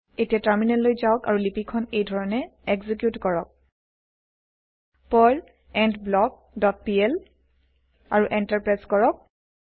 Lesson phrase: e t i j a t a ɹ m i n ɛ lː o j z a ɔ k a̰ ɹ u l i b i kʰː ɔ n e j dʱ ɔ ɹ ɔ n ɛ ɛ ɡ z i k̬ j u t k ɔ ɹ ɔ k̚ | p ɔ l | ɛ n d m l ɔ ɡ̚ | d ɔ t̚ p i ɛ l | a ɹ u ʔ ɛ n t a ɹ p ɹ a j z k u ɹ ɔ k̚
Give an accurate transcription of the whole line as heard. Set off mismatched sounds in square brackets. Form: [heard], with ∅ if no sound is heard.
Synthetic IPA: e t i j a t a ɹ m i n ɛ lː o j z a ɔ k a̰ ɹ u l i [p] i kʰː ɔ n e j dʱ ɔ ɹ ɔ n ɛ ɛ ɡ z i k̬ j u t k ɔ ɹ ɔ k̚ | p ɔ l | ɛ n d [b] l ɔ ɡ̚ | d ɔ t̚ p i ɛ l | a ɹ u ʔ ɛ n t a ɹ p ɹ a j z k [ɔ] ɹ ɔ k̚

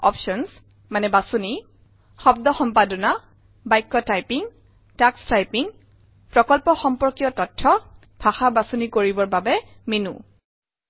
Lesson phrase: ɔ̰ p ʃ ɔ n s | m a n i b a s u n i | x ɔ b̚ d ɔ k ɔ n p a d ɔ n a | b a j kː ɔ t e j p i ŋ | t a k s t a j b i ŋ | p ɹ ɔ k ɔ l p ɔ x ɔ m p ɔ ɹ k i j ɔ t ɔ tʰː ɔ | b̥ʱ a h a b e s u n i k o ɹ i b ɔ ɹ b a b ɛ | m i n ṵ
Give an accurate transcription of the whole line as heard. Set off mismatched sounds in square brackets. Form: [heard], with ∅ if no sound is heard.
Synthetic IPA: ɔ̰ p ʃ ɔ n s | m a n [ɛ] b a s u n i | x ɔ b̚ d ɔ [x] ɔ [m] p a d ɔ n a | b a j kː ɔ t [a] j p i ŋ | t a k s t a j [p] i ŋ | p ɹ ɔ k ɔ l p ɔ x ɔ m p ɔ ɹ k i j ɔ t ɔ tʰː ɔ | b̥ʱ a [x] a b [a] s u n i k o ɹ i b ɔ ɹ b a b ɛ | m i n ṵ

